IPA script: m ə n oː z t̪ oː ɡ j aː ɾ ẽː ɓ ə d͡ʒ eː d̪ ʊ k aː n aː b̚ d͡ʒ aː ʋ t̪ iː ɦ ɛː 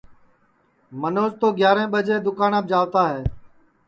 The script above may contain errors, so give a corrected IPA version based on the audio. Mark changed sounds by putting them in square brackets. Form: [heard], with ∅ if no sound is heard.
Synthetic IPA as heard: m ə n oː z t̪ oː ɡ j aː ɾ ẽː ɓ ə d͡ʒ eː d̪ ʊ k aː n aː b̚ d͡ʒ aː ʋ t̪ [aː] ɦ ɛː